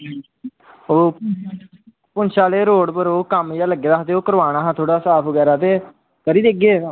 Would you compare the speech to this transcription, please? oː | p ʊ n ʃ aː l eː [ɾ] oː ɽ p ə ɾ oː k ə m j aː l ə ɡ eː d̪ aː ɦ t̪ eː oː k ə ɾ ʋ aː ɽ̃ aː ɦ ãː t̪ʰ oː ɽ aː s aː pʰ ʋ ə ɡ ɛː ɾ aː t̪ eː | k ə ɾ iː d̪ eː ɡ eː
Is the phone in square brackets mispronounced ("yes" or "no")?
no